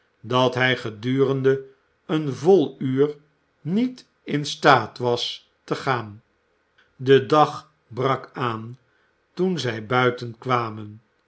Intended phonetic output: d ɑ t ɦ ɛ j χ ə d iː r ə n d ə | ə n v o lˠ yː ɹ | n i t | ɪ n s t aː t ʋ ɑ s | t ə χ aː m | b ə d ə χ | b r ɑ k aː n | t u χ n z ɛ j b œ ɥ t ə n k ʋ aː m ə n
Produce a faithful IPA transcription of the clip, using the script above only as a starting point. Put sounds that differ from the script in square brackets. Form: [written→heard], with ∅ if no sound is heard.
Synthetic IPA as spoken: d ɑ t ɦ ɛ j χ ə d [iː→yː] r ə n d ə | ə n v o lˠ yː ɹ | n i t | ɪ n s t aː t ʋ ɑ s | t ə χ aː [m→n] | [b→d] ə d [ə→ɑ] χ | b r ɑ k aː n | t u [χ→∅] n z ɛ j b œ ɥ t ə n k ʋ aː m ə n

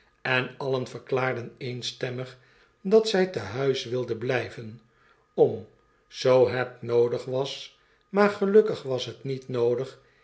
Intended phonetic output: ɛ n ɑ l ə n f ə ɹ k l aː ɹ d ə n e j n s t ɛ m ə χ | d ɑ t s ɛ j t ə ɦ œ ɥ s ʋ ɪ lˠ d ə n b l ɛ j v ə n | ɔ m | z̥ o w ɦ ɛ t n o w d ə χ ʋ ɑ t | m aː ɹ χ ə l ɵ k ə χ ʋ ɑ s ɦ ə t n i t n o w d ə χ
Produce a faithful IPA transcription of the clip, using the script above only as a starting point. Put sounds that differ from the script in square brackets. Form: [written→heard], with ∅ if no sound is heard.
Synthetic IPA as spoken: ɛ n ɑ l ə n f ə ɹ k l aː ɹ d ə n e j n s t ɛ m ə χ | d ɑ t s ɛ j t ə ɦ œ ɥ s ʋ ɪ lˠ d ə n b l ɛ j v ə n | ɔ m | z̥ o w ɦ ɛ t n o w d ə χ ʋ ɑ [t→s] | m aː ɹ χ ə l ɵ k ə χ ʋ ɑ s ɦ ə t n i t n o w d ə χ

